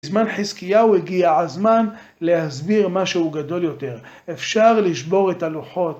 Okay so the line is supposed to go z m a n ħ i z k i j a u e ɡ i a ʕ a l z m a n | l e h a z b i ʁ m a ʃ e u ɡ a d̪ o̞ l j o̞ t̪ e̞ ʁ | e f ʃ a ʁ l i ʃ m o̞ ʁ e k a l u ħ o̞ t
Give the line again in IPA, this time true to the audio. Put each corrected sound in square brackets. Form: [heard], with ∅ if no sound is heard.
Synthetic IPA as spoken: z m a n ħ i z k i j a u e ɡ i a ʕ a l z m a n | l e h a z b i ʁ m a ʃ e u ɡ a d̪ o̞ l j o̞ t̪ e̞ ʁ | e f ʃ a ʁ l i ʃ [b] o̞ ʁ e [t] a l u ħ o̞ t

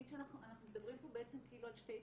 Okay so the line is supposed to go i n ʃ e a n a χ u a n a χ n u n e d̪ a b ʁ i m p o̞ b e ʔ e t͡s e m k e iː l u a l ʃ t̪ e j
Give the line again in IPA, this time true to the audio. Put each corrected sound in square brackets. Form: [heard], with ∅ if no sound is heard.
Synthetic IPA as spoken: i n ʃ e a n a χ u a n a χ n u [m] e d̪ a b ʁ i m p o̞ b e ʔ e t͡s e m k e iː l u a l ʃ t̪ e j

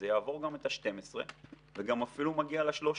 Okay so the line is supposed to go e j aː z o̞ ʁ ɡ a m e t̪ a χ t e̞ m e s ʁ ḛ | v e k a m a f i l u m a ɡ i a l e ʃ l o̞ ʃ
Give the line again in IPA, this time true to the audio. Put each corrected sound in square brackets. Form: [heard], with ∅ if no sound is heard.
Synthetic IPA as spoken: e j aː [v] o̞ ʁ ɡ a m e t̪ a [ʃ] t e̞ m e s ʁ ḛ | v e [ɡ] a m a f i l u m a ɡ i a l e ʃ l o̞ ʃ

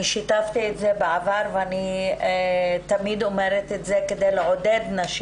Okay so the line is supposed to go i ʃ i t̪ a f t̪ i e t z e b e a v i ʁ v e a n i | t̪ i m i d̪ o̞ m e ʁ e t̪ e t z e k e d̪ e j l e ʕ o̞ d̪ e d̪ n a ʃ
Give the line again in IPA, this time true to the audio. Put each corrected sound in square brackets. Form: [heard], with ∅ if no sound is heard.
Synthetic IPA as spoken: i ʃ i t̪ a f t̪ i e t z e b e a v [a] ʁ v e a n i | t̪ [a] m i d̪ o̞ m e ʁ e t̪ e t z e k e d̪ e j l e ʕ o̞ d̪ e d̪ n a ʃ

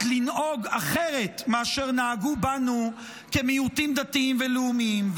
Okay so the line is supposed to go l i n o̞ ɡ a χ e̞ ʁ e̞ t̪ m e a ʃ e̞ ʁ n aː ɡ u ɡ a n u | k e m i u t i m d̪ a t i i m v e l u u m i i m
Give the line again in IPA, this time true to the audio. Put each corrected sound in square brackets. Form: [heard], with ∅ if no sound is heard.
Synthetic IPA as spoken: l i n o̞ ɡ a χ e̞ ʁ e̞ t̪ m e a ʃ e̞ ʁ n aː ɡ u [b] a n u | k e m i u t i m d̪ a t i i m v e l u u m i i m

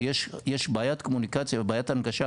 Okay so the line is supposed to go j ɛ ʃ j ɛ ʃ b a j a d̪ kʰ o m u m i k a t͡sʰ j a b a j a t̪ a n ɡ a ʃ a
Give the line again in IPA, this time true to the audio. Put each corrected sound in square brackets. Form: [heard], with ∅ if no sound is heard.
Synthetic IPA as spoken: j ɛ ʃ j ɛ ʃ b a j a [t̪] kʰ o m u [n] i k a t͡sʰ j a b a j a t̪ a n ɡ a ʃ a

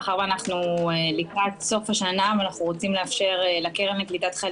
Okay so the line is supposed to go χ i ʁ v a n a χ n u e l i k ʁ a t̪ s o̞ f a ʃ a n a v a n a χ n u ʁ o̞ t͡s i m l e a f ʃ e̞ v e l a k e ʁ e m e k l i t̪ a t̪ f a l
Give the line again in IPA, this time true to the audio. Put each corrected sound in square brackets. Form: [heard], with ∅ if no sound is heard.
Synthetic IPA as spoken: χ [a] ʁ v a n a χ n u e l i k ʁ a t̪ s o̞ f a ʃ a n a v a n a χ n u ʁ o̞ t͡s i m l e a f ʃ e̞ [ʁ] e l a k e ʁ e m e k l i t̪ a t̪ [χ] a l

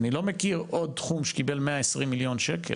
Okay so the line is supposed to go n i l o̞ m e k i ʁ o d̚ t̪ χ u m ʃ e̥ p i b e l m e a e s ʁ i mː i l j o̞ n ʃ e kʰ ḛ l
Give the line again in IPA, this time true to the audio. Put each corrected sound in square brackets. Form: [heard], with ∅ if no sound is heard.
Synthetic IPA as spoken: n i l o̞ m e k i ʁ o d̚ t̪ χ u m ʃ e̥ [k] i b e l m e a e s ʁ i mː i l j o̞ n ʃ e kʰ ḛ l

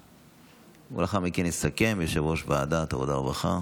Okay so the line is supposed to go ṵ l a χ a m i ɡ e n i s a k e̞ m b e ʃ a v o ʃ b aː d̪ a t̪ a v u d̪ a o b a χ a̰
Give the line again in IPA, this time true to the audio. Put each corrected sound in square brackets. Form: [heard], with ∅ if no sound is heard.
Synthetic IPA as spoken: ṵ l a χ a m i [k] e n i s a k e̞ m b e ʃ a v o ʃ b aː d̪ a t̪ a v [o] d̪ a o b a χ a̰

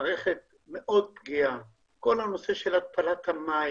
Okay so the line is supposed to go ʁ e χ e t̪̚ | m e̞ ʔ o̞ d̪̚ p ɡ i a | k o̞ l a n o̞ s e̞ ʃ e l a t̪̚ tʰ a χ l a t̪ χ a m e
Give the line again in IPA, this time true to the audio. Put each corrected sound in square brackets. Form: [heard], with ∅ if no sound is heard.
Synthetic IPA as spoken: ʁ e χ e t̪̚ | m e̞ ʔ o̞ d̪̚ p ɡ i a | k o̞ l a n o̞ s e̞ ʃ e l a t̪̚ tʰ a [∅] l a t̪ [h] a m [a]

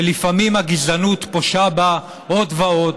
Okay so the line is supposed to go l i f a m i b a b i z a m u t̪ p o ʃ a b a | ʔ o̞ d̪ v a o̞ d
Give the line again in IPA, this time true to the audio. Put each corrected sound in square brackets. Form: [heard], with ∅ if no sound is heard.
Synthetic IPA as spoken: l i f a m i [m] a [ɡ] i z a [n] u t̪ p o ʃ a b a | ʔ o̞ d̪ v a o̞ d

